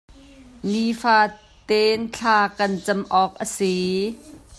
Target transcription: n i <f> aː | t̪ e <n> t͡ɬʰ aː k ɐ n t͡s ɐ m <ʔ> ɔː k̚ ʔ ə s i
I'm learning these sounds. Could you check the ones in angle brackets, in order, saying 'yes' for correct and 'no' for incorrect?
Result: yes, yes, yes

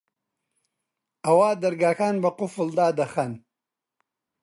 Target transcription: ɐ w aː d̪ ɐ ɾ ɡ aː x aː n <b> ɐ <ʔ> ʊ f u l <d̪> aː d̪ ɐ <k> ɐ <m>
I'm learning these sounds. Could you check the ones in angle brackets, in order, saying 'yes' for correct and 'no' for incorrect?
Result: yes, no, yes, no, no

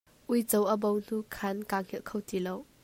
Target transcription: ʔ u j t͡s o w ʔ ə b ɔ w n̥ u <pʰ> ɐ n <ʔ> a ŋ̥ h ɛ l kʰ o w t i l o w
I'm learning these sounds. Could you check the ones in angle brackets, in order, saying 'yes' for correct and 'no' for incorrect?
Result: no, no

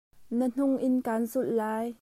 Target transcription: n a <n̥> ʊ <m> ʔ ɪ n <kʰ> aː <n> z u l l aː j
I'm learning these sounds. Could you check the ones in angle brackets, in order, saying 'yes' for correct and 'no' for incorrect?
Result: yes, no, no, yes

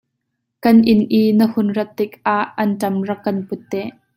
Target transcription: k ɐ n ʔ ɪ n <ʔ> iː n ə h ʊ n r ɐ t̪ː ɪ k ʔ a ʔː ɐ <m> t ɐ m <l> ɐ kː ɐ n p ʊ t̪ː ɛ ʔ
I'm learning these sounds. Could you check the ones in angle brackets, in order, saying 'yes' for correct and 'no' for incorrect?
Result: yes, no, no

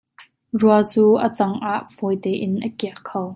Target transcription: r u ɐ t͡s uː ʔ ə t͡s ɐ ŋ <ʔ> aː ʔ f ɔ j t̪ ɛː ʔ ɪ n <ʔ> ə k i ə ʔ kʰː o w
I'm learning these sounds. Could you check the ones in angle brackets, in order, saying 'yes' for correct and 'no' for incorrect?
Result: yes, yes

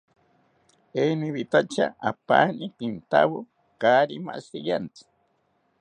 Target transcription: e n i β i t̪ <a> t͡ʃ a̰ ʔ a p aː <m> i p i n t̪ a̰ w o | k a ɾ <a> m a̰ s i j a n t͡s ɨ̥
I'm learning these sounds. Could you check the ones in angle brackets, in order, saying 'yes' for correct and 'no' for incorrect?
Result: yes, no, no

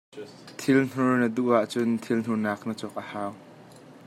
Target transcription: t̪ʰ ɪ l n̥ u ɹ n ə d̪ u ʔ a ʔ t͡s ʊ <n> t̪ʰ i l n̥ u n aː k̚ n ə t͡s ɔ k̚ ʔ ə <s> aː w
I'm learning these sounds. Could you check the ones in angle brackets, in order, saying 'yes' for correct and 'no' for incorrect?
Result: yes, no

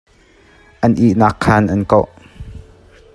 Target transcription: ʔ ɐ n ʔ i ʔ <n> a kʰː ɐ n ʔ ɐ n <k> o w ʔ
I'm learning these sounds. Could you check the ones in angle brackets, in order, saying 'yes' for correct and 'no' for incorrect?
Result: yes, yes

